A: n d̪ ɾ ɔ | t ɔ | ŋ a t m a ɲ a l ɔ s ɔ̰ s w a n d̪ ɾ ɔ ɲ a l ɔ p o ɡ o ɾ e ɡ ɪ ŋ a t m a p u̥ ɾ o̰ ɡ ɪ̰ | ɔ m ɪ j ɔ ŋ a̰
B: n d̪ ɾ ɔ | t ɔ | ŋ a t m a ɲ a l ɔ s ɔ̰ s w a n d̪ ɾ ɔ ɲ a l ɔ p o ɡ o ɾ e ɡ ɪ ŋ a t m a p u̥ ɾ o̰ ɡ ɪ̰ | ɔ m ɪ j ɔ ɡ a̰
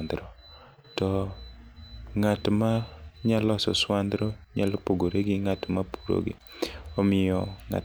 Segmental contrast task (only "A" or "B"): A